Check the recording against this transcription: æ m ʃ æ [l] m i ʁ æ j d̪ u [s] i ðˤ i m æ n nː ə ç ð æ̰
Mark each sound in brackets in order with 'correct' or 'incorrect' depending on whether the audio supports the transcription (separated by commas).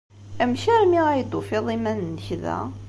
incorrect, incorrect